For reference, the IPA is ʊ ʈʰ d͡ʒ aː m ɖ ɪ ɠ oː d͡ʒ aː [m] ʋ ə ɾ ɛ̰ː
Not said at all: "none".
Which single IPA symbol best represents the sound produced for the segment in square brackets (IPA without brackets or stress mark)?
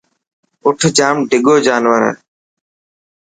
n